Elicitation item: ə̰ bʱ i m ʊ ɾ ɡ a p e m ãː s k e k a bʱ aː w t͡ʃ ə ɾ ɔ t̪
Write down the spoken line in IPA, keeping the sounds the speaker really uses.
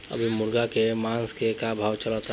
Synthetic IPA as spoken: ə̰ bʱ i m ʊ ɾ ɡ a k e m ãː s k e k a bʱ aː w t͡ʃ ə l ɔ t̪